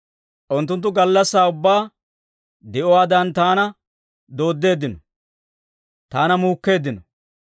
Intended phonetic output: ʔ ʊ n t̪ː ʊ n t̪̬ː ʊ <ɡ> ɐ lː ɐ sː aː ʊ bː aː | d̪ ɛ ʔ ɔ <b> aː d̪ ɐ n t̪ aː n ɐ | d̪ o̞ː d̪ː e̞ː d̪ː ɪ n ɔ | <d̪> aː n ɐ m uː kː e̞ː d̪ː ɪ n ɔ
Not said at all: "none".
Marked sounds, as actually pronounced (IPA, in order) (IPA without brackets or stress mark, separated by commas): ɡ, w, t̪